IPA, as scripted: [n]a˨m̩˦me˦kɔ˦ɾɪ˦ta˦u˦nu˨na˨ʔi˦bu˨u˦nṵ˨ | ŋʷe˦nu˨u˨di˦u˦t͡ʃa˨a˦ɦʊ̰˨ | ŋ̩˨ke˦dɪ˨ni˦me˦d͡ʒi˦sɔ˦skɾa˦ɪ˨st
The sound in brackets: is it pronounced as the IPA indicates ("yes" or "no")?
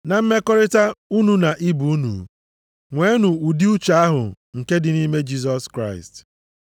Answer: yes